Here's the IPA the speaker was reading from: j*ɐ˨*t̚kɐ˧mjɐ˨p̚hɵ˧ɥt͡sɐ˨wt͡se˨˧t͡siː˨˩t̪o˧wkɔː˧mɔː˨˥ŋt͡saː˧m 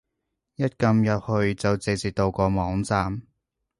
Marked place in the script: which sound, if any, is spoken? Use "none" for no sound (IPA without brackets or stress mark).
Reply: ɐ˥